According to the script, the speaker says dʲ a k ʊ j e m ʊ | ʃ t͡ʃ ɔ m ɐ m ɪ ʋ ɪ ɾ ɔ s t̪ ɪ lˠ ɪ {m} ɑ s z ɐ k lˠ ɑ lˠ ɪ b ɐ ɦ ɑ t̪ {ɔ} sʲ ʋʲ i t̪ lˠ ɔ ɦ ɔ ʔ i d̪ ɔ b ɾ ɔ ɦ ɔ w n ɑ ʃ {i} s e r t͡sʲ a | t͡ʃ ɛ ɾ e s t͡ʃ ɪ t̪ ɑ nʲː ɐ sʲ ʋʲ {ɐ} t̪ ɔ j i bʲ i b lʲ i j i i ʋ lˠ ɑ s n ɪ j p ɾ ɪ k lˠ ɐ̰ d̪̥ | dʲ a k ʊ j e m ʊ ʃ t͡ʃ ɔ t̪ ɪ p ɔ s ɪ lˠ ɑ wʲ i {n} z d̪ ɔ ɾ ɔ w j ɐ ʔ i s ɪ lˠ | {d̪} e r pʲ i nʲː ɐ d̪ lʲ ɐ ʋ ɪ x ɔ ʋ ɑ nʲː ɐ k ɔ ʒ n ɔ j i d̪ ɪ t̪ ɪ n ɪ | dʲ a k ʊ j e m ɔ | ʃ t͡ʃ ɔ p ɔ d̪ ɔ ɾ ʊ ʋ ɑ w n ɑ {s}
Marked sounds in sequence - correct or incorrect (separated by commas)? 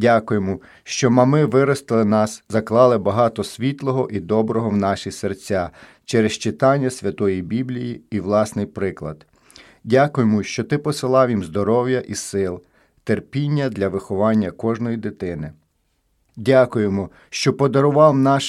incorrect, correct, correct, correct, incorrect, incorrect, incorrect